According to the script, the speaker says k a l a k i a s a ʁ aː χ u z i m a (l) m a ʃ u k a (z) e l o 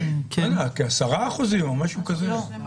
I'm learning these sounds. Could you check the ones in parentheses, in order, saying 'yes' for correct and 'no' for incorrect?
no, yes

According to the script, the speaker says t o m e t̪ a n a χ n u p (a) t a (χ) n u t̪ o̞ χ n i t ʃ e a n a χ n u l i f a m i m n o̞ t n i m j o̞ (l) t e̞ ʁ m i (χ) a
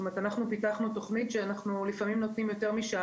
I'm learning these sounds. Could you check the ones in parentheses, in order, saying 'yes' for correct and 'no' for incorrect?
no, yes, no, no

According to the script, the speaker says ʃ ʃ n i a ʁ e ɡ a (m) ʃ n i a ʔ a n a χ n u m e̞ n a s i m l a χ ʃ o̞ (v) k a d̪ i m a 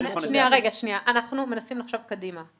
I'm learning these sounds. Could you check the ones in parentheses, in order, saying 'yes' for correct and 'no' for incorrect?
no, yes

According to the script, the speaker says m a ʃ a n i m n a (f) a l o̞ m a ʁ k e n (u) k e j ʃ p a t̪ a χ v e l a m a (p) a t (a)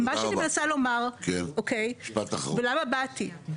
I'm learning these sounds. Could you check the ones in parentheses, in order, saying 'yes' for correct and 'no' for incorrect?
no, no, no, no

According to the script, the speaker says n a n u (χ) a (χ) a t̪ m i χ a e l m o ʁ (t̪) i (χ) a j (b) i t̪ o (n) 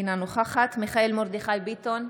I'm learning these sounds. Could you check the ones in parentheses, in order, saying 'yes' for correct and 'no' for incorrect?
yes, yes, no, yes, yes, yes

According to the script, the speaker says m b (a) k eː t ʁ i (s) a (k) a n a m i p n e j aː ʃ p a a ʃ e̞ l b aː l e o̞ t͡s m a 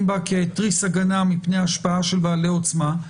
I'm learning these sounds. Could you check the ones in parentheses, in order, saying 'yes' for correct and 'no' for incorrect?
yes, yes, no

